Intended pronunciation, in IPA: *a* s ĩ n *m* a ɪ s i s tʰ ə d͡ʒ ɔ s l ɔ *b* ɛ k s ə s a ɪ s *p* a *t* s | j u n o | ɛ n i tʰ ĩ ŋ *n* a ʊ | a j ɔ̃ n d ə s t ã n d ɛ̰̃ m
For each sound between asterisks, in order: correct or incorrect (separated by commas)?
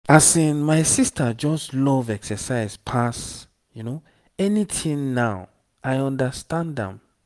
correct, correct, incorrect, incorrect, incorrect, correct